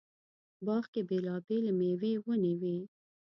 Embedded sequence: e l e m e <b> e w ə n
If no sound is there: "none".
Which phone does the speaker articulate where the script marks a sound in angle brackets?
w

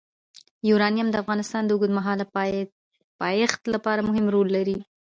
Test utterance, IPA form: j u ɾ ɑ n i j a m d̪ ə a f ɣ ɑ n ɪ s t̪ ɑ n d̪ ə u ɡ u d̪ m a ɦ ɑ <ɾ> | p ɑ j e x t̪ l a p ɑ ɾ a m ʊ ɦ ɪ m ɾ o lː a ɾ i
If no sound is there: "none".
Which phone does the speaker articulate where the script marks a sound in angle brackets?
l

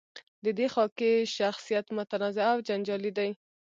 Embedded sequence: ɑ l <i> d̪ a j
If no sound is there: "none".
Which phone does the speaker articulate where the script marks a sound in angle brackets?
i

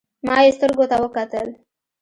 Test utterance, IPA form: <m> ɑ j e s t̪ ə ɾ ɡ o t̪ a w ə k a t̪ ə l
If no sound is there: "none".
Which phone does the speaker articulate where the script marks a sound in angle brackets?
m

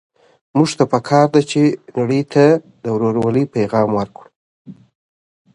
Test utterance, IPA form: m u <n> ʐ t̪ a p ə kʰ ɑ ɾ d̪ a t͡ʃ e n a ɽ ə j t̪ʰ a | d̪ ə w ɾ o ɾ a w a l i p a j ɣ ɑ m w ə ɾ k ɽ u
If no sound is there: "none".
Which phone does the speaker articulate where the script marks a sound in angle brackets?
none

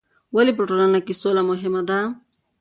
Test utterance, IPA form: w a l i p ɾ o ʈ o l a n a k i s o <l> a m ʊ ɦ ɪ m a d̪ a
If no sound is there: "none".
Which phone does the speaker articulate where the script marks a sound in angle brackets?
l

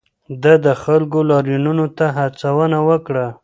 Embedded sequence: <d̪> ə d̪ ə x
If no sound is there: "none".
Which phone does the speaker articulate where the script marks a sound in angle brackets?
d̪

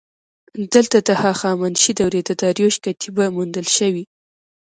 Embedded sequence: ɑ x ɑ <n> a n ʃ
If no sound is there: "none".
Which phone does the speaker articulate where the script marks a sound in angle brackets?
m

